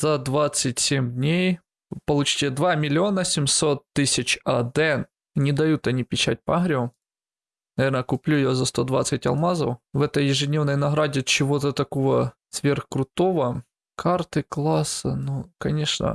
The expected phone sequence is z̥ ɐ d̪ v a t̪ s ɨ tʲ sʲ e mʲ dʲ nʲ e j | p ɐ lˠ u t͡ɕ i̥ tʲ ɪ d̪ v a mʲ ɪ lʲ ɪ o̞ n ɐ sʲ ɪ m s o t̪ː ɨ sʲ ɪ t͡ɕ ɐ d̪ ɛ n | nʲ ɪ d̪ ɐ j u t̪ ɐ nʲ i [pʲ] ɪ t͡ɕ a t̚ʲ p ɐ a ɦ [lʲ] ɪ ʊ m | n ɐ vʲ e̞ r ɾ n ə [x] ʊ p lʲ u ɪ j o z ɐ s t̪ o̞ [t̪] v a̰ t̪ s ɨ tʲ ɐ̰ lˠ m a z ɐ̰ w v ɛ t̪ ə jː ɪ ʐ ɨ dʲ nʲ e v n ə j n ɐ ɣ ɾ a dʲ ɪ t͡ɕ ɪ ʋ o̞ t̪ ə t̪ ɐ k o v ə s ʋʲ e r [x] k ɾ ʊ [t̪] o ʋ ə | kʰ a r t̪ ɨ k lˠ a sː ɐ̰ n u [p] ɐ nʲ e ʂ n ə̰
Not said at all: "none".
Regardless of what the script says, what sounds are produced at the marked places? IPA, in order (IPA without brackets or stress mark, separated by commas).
pʲ, ɾʲ, k, d̪, x, t̪, k